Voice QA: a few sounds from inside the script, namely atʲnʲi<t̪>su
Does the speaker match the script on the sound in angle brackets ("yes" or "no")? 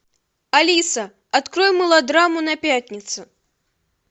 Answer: yes